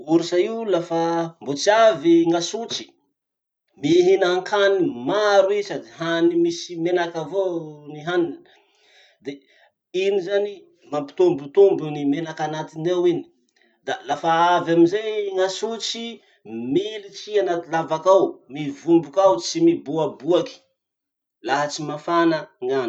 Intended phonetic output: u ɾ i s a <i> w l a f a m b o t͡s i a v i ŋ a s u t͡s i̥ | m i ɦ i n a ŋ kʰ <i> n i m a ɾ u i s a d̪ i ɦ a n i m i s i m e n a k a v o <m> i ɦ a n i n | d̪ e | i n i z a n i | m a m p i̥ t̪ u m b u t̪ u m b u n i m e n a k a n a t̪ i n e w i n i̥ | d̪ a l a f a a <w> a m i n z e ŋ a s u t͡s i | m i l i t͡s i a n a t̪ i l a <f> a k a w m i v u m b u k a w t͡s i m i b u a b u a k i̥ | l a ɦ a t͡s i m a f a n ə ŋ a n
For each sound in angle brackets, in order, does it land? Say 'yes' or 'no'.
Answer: yes, no, no, no, no

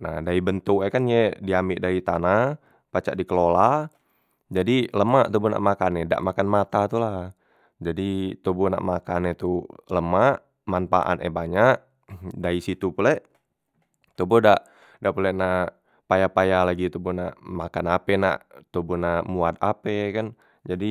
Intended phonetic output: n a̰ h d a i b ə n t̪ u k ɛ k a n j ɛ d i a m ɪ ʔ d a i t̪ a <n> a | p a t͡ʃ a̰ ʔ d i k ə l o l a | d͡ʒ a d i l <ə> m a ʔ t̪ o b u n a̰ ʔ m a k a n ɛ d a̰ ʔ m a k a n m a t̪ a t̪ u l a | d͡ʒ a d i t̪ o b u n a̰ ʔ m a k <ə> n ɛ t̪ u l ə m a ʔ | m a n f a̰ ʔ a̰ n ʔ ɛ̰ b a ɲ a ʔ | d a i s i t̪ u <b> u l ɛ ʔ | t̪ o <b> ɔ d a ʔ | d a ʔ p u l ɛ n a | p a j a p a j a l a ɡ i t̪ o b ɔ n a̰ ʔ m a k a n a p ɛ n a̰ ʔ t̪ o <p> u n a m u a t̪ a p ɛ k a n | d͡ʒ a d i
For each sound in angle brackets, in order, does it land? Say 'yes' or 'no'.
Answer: yes, yes, no, no, yes, no

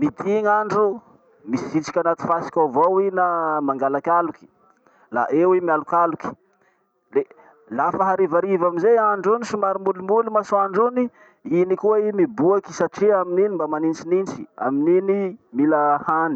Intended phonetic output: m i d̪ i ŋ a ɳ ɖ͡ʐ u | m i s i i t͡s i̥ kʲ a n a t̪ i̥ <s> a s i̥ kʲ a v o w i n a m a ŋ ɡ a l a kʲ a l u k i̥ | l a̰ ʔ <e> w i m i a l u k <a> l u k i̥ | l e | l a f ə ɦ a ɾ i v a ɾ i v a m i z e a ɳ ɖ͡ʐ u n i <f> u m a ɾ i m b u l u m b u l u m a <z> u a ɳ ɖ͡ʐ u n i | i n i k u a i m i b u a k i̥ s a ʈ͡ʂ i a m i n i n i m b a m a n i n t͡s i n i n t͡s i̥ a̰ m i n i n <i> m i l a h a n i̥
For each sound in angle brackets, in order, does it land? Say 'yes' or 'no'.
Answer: no, yes, yes, no, no, yes

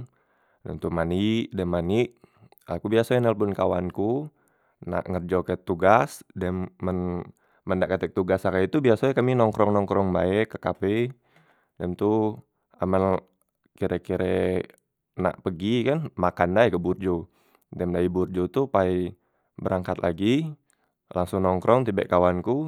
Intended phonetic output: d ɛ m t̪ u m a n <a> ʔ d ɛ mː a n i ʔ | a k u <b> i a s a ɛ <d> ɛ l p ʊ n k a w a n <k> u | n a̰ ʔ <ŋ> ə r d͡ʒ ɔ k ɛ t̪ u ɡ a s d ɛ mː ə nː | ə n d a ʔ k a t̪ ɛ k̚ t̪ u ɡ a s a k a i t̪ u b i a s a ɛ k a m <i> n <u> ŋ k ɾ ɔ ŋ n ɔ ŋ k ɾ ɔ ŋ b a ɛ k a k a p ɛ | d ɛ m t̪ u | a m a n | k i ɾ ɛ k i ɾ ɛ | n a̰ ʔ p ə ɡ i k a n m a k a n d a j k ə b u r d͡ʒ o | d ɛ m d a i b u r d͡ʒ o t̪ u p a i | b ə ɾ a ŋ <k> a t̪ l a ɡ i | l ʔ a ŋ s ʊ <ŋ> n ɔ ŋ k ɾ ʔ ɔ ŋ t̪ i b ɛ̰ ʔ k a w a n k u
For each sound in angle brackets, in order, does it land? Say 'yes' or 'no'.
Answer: no, yes, no, yes, yes, yes, no, yes, yes

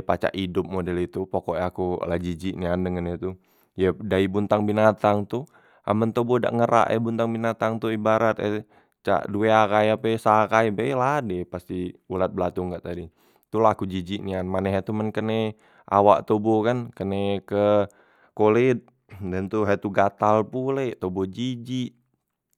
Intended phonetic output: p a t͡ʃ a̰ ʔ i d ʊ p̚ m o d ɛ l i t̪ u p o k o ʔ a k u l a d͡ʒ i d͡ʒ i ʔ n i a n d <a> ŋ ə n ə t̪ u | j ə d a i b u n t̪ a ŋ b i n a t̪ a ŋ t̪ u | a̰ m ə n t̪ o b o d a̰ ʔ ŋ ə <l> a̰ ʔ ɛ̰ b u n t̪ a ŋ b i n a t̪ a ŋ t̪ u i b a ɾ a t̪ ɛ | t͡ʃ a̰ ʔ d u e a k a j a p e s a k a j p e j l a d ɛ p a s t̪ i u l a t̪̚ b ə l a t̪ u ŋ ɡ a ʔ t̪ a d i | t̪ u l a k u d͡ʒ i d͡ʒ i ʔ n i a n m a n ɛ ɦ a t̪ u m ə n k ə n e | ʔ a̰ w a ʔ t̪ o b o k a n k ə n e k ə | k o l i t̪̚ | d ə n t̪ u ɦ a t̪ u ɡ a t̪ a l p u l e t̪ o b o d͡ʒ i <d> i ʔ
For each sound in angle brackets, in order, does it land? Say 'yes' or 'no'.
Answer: no, no, no

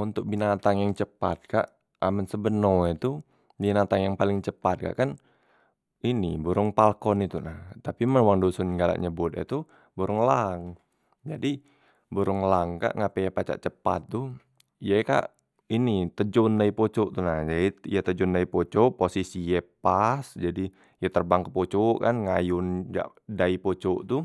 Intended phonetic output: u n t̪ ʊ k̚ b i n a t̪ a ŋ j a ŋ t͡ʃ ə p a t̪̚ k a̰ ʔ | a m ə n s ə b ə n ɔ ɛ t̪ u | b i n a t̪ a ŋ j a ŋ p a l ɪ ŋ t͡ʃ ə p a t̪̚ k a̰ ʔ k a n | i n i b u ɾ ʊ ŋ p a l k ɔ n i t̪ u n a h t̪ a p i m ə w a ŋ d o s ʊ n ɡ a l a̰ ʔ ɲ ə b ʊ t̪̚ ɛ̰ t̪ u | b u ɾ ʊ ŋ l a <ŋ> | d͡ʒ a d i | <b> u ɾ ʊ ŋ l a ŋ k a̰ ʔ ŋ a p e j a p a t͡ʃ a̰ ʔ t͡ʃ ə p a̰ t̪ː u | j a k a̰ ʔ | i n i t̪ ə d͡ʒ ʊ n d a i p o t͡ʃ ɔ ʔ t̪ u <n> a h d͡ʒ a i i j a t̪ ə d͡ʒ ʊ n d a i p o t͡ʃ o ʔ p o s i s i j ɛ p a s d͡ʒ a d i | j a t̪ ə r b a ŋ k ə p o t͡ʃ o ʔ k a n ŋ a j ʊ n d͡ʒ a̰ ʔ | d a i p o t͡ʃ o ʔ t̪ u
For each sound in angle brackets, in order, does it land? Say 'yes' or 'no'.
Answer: yes, yes, yes

